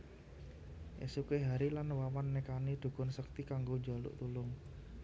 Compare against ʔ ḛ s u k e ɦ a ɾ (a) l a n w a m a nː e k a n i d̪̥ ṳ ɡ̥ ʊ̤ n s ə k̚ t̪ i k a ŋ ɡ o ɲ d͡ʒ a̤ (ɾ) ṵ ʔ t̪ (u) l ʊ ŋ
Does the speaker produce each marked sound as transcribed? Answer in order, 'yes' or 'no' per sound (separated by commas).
no, no, yes